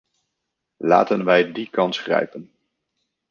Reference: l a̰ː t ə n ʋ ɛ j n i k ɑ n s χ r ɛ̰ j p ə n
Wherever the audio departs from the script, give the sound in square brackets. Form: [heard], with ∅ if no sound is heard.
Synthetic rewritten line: l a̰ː t ə n ʋ ɛ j [d] i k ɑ n s χ r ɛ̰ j p ə n